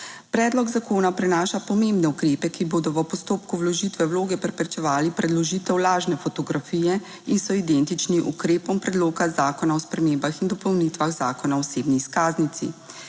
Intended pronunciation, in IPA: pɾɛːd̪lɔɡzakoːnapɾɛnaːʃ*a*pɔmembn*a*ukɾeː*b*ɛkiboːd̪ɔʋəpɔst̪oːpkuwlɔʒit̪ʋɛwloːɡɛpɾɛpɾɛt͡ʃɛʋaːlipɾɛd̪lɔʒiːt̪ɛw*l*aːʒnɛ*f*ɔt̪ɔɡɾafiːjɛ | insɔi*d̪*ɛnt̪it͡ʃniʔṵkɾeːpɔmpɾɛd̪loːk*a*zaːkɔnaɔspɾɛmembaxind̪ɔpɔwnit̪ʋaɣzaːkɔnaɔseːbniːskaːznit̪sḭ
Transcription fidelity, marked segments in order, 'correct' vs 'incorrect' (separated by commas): correct, incorrect, incorrect, correct, correct, correct, correct